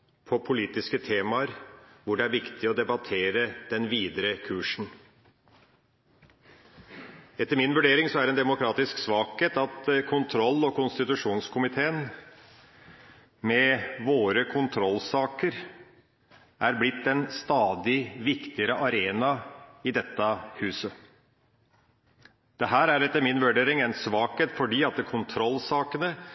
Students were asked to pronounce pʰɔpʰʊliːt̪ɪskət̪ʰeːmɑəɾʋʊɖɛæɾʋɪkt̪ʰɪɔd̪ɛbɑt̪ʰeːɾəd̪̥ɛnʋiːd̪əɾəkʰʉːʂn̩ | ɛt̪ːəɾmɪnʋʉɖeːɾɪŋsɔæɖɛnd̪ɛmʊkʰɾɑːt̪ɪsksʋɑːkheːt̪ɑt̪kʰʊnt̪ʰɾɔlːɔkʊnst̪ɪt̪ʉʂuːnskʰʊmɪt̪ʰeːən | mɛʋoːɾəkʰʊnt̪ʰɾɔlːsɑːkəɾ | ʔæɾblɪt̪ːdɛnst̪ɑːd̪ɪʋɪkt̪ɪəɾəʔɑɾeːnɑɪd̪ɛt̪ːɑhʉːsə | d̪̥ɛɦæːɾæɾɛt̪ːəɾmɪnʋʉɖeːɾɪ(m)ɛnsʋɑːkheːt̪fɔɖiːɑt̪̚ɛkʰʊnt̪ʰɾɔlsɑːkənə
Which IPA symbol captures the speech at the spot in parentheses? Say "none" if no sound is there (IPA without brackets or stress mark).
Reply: ŋ